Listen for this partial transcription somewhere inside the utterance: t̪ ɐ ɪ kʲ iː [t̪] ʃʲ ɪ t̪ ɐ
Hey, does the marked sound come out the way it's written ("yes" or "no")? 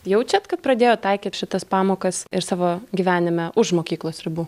yes